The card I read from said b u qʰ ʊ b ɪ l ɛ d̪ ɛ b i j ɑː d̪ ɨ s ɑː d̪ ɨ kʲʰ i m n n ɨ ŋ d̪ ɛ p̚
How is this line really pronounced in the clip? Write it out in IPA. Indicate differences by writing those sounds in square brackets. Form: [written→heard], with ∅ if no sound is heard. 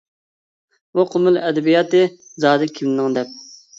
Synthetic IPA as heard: b u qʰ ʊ [b→m] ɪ l ɛ d̪ ɛ b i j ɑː [d̪→t̪] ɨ [s→z] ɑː d̪ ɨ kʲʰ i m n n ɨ ŋ d̪ ɛ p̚